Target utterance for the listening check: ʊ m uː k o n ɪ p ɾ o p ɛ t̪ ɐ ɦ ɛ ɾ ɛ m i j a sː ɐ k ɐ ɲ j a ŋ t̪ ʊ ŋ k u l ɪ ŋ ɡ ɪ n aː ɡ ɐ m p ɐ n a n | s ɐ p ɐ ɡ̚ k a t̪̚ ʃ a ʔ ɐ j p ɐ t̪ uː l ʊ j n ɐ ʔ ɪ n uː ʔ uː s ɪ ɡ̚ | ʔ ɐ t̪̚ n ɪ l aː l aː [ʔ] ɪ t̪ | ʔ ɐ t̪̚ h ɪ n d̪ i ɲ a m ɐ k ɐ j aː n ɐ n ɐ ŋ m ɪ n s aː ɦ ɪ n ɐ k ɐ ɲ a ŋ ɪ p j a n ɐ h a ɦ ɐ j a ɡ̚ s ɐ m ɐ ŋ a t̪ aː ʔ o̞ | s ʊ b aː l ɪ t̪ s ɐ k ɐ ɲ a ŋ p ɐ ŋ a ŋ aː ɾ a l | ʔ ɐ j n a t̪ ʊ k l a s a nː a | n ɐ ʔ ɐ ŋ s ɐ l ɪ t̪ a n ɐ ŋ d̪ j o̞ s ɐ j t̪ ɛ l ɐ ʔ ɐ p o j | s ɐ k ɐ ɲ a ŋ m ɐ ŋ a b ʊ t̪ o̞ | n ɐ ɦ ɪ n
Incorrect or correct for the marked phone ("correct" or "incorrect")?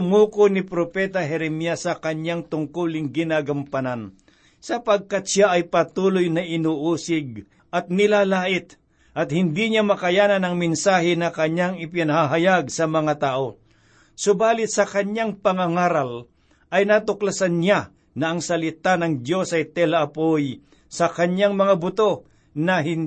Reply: correct